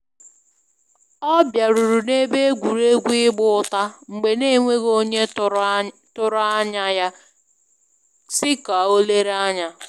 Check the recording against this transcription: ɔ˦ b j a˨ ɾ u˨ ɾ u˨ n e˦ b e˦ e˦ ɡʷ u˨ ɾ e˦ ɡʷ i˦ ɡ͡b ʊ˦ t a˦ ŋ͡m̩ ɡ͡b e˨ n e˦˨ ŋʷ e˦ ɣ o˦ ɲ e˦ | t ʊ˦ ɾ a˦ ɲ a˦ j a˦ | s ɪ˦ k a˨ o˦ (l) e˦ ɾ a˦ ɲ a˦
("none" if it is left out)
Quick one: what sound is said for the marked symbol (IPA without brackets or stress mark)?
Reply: l